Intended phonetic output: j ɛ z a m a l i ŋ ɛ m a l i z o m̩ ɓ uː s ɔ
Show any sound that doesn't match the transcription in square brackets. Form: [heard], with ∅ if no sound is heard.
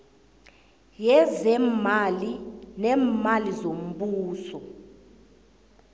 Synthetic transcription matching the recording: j ɛ z [ɛ] m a l i [n] ɛ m a l i z o m̩ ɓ uː s ɔ